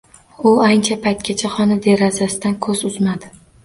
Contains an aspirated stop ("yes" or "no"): yes